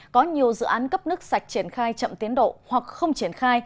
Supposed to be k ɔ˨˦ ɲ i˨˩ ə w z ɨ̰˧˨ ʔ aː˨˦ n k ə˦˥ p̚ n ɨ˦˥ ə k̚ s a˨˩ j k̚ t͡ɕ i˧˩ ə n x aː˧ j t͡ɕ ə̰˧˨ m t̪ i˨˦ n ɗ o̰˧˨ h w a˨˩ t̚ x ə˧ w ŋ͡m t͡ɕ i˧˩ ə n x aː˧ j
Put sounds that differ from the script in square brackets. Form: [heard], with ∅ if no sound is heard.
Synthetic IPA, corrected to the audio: k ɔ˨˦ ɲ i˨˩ ə w z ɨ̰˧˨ ʔ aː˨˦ n k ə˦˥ p̚ n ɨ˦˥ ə k̚ s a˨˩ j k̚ t͡ɕ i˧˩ ə n x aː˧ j t͡ɕ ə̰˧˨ m t̪ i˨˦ n ɗ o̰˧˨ h w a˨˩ [k̚] x ə˧ w ŋ͡m t͡ɕ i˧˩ ə n x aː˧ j